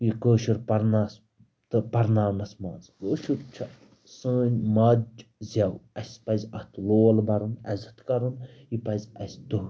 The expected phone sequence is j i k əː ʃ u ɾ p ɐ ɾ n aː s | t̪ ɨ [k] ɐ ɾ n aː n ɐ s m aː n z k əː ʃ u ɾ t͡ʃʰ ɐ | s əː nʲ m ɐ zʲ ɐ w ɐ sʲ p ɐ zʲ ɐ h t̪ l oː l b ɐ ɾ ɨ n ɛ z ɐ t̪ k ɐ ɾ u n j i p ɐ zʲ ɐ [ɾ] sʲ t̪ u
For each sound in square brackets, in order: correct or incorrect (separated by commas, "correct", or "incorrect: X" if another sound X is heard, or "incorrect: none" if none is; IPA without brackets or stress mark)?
incorrect: p, incorrect: none